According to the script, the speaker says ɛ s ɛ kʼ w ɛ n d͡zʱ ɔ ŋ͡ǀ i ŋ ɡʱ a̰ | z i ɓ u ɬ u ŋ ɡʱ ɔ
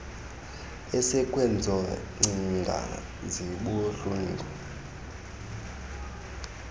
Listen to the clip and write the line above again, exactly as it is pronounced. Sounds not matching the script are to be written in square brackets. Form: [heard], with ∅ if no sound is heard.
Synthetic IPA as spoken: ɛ s ɛ kʼ w ɛ n d͡zʱ ɔ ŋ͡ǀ i ŋ ɡʱ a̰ | z i ɓ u ɬ u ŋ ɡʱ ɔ